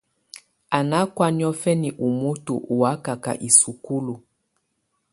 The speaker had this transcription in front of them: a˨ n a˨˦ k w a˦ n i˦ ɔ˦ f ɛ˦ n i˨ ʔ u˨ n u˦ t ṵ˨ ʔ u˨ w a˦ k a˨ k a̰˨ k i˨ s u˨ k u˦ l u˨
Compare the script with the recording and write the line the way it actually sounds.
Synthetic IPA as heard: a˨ n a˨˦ k w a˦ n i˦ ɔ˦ f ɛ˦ n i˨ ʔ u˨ m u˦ t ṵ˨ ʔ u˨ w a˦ k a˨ k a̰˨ ʔ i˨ s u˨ k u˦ l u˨